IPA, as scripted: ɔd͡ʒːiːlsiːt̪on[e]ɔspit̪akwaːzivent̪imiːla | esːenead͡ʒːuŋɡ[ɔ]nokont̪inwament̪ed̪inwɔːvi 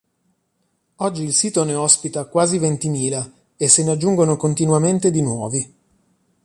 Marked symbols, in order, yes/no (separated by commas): yes, no